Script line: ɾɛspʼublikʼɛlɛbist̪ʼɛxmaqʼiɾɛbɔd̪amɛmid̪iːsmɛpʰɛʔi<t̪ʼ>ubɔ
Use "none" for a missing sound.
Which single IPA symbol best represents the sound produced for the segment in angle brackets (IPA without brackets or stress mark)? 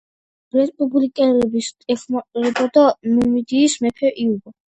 none